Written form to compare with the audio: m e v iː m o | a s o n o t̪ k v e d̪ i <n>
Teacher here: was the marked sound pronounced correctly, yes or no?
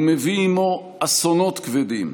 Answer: no